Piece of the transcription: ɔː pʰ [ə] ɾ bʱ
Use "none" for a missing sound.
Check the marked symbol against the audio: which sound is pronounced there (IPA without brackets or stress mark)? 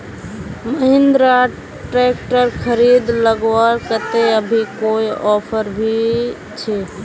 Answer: ə